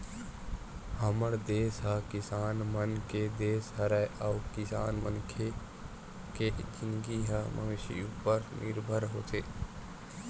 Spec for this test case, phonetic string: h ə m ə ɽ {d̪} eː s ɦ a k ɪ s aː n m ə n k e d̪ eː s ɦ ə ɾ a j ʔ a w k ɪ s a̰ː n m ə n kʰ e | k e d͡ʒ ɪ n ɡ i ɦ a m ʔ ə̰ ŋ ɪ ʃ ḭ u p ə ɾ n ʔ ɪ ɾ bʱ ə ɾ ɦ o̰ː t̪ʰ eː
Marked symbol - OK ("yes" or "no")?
yes